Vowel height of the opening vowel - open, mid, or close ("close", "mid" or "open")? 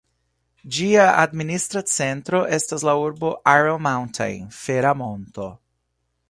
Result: close